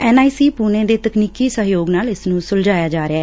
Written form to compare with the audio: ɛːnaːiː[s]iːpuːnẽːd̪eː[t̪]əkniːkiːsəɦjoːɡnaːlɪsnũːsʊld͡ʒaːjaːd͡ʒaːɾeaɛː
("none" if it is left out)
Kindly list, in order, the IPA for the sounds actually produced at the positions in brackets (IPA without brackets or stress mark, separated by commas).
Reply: s, t̪